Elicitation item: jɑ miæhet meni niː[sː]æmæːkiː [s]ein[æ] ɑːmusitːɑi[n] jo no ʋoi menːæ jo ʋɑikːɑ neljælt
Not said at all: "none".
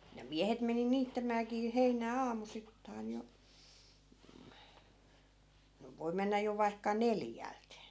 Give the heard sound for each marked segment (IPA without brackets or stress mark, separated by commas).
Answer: tː, h, æː, n